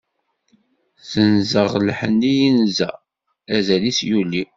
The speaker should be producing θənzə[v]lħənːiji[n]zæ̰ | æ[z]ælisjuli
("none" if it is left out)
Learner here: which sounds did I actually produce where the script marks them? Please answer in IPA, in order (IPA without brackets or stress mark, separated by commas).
ʁ, n, z